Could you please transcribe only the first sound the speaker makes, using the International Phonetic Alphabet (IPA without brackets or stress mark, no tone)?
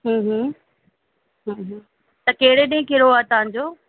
ɦ